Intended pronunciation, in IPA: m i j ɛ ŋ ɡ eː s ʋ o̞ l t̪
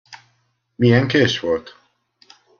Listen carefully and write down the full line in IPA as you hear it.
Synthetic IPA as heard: m i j ɛ ŋ k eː ʃ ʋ o̞ l t̪

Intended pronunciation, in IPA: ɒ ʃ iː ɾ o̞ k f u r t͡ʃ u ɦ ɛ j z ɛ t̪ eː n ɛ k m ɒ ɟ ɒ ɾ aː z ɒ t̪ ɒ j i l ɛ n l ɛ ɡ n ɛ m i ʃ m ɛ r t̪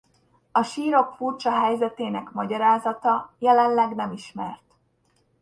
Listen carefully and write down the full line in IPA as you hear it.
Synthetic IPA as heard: ɒ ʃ iː ɾ o̞ k f u r t͡ʃ ɒ ɦ ɛ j z ɛ t̪ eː n ɛ k m ɒ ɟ ɒ ɾ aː z ɒ t̪ ɒ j ɛ l ɛ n l ɛ ɡ n ɛ m i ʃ m ɛ r t̪

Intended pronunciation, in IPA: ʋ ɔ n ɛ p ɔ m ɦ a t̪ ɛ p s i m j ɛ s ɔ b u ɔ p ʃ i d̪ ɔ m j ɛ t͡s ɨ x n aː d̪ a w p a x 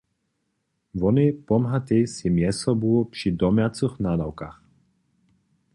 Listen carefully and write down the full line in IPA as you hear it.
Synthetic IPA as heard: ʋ ɔ n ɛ p ɔ m ɦ a t̪ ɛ s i m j ɛ s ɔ b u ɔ p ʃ i d̪ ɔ m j a t͡s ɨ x n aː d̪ a w k a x

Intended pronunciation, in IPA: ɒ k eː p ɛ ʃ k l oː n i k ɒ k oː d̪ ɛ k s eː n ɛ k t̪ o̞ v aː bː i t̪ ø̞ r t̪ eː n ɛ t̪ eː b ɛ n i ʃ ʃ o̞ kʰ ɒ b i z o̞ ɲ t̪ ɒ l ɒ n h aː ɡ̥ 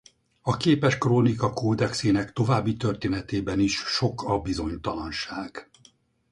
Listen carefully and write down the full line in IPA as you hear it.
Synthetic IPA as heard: ɒ k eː p ɛ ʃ k r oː n i k ɒ k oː d̪ ɛ k s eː n ɛ k t̪ o̞ v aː bː i t̪ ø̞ r t̪ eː n ɛ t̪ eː b ɛ n i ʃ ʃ o̞ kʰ ɒ b i z o̞ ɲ t̪ ɒ l ɒ n ʃ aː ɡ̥

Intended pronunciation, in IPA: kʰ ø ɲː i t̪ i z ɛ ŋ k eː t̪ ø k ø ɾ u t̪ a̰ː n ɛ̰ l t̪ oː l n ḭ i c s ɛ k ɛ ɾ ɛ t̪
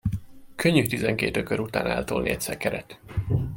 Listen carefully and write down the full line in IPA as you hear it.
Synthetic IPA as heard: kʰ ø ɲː y t̪ i z ɛ ŋ k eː t̪ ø k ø ɾ u t̪ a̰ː n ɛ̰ l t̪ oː l n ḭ ɛ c s ɛ k ɛ ɾ ɛ t̪

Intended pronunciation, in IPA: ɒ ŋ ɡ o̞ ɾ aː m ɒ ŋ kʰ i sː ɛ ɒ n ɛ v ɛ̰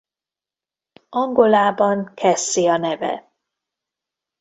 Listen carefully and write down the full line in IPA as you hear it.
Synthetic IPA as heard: ɒ ŋ ɡ o̞ l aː b ɒ ŋ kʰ ɛ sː i ɒ n ɛ v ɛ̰

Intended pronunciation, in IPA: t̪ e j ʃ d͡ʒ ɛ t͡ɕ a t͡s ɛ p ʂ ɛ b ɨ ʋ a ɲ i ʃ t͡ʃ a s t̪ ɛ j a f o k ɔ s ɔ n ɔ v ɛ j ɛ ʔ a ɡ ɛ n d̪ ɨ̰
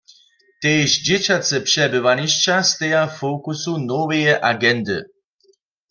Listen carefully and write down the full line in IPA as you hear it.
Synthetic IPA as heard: t̪ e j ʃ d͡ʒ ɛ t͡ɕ a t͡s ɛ p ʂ ɛ b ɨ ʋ a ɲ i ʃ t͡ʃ a s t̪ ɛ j a f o k u s u n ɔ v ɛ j ɛ ʔ a ɡ ɛ n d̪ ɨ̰

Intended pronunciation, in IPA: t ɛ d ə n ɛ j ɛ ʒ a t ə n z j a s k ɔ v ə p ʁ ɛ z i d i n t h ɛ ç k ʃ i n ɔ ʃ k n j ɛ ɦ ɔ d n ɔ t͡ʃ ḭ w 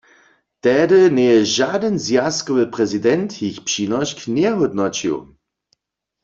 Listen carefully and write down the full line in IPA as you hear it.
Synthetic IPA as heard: t ɛ d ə n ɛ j ɛ ʒ a d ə n z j a s k ɔ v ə p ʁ ɛ z i d ɛ n t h i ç p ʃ i n ɔ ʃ k n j ɛ ɦ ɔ d n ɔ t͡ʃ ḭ w

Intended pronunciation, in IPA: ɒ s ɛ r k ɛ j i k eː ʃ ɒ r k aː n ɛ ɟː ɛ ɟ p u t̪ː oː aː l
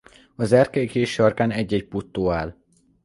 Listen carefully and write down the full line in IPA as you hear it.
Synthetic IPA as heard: ɒ z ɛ r k ɛ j i k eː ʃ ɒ r k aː n ɛ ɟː ɛ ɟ p u t̪ː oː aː l

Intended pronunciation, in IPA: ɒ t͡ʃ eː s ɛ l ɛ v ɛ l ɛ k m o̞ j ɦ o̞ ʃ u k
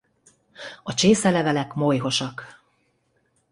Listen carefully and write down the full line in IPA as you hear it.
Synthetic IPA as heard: ɒ t͡ʃ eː s ɛ l ɛ v ɛ l ɛ k m o̞ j ɦ o̞ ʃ ɒ k

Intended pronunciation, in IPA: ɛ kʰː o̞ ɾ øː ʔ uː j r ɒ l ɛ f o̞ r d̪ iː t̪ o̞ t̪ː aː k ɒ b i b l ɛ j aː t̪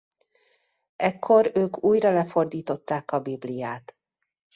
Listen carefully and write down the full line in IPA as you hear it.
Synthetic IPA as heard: ɛ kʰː o̞ ɾ øː k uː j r ɒ l ɛ f o̞ r d̪ iː t̪ o̞ t̪ː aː k ɒ b i b l i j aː t̪

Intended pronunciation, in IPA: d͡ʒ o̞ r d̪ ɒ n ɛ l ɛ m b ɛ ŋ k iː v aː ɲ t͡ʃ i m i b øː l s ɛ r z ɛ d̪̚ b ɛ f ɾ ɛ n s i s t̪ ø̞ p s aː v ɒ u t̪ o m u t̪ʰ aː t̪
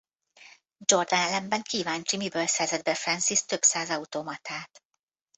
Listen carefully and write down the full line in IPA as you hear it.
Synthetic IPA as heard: d͡ʒ o̞ r d̪ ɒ n ɛ l ɛ m b ɛ ŋ k iː v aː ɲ t͡ʃ i m i b øː l s ɛ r z ɛ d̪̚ b ɛ f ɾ ɛ n s i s t̪ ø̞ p s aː z ɒ u t̪ o m ɒ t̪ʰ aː t̪

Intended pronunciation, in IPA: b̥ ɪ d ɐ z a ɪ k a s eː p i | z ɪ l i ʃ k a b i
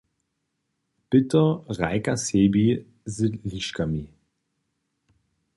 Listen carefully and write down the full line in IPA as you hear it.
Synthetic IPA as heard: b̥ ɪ t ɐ ʁ a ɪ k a s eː b i | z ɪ l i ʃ k a m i

